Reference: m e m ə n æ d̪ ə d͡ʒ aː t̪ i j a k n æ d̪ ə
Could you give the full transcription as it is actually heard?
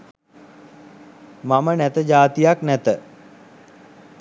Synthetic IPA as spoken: m a m ə n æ t̪ ə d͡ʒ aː t̪ i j a k n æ t̪ ə